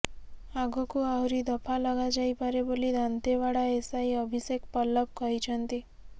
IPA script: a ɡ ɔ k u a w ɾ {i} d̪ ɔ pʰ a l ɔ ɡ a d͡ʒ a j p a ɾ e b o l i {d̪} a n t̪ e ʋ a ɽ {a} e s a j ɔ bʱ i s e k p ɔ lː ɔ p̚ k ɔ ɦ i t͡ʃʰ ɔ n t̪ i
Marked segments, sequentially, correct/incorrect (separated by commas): correct, correct, correct